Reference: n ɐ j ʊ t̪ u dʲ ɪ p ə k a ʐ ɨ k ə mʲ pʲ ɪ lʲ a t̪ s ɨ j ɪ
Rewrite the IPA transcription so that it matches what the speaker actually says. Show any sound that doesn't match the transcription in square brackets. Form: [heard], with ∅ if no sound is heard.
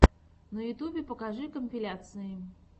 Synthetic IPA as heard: n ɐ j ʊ t̪ u [bʲ] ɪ p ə k a ʐ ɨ k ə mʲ pʲ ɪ lʲ a t̪ s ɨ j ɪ